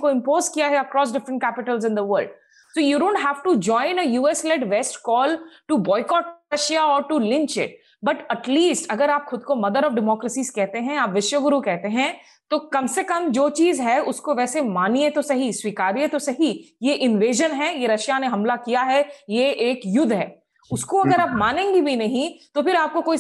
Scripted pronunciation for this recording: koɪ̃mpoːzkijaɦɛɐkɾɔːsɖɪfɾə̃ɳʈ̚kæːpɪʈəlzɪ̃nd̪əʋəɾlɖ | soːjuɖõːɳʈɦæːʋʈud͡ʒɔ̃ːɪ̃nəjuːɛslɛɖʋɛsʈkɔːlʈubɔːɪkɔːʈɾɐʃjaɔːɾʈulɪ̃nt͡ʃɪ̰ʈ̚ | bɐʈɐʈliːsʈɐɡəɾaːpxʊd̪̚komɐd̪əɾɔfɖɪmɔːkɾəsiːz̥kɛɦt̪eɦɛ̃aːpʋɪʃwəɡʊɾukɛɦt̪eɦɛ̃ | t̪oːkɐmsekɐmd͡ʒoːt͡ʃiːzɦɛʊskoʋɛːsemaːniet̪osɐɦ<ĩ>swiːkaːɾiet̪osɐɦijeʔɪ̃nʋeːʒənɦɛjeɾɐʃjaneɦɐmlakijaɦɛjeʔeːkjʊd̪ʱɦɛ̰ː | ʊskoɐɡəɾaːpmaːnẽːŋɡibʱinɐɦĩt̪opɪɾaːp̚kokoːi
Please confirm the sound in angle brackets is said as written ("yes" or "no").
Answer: no